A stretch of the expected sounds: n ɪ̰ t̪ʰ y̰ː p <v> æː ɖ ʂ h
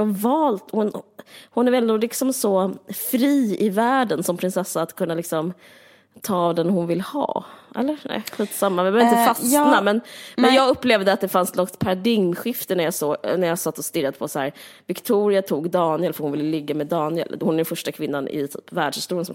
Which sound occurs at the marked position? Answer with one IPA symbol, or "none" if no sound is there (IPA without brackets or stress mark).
v